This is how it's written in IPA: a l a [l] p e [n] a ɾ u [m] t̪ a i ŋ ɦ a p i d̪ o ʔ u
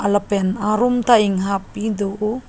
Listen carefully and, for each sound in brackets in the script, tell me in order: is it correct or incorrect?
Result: incorrect: none, correct, correct

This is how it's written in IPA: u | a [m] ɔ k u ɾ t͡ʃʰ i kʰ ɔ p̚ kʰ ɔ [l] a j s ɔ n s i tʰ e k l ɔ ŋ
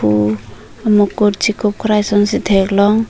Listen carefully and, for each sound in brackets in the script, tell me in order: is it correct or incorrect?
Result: correct, incorrect: ɾ

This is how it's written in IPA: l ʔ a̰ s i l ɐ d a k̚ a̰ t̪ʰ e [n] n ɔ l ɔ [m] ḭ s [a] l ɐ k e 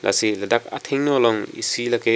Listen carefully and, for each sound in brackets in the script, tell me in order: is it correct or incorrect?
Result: incorrect: ŋ, incorrect: ŋ, incorrect: i

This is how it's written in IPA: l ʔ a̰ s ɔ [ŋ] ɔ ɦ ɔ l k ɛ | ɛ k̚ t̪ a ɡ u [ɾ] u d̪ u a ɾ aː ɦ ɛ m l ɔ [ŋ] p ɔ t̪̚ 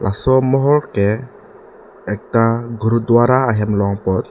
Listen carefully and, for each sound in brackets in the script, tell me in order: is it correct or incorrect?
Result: incorrect: m, correct, correct

